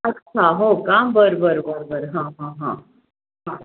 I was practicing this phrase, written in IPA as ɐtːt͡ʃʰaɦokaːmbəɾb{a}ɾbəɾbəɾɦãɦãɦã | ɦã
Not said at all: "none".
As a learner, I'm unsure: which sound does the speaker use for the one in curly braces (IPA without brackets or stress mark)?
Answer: ə